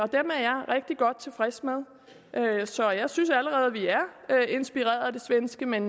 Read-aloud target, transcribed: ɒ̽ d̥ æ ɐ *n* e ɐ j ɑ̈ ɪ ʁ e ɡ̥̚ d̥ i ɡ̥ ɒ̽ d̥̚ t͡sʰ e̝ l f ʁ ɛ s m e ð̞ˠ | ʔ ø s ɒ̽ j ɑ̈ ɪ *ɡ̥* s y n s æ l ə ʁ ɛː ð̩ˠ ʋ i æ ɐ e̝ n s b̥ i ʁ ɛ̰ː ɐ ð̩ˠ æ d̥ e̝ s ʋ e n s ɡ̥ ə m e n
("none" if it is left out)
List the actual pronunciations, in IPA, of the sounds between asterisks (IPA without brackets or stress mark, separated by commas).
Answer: m, none